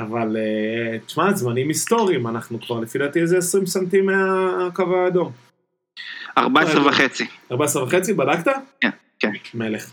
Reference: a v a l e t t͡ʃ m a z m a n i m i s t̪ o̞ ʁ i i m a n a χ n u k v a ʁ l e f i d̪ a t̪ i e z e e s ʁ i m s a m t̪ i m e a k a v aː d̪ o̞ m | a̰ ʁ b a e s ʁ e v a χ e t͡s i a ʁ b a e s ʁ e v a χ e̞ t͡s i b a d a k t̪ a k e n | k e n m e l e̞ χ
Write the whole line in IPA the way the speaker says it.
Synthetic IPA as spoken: a v a l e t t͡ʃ m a z m a n i m i s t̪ o̞ ʁ i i m a n a χ n u k v a ʁ l e f i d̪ a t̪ i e z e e s ʁ i m s a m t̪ i m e a k a v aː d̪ o̞ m | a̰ ʁ b a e s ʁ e v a χ e t͡s i a ʁ b a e s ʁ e v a χ e̞ t͡s i b a d a k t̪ a k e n | k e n m e l e̞ χ